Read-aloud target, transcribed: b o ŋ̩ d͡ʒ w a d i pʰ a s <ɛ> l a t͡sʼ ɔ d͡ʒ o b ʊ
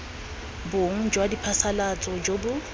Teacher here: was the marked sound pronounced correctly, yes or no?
no